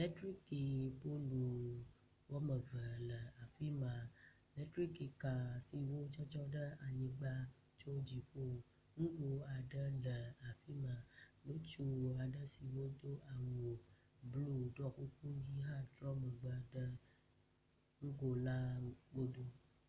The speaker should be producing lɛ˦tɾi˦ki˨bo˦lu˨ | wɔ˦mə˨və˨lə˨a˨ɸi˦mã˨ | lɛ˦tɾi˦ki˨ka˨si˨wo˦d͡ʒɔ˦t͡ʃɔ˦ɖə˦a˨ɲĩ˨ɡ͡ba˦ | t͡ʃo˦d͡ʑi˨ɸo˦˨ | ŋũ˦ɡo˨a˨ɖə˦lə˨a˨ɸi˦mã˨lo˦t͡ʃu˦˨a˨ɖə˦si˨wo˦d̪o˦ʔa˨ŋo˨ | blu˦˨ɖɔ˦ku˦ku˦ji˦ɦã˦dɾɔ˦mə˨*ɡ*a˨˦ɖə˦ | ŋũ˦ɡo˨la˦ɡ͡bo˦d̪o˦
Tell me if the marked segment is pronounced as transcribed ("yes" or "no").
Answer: no